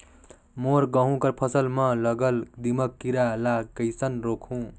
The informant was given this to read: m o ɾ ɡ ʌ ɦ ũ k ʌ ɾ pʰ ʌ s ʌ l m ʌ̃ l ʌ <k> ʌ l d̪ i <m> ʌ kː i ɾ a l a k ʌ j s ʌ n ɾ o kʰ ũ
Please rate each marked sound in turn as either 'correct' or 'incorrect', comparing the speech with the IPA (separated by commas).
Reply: incorrect, correct